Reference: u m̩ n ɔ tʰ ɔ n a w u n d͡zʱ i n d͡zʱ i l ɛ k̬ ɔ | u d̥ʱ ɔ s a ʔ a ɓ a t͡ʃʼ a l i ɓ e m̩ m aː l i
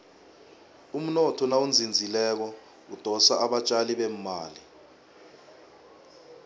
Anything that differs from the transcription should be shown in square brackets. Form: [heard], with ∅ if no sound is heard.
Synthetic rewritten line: u m̩ n ɔ tʰ ɔ n a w u n d͡zʱ i n d͡zʱ i l ɛ k̬ ɔ | u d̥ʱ ɔ s a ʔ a ɓ a t͡ʃʼ a l i ɓ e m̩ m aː l i